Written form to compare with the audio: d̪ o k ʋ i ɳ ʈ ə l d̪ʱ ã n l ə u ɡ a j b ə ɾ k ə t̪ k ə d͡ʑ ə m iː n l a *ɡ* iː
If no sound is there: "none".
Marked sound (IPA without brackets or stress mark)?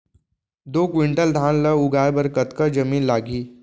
ɡ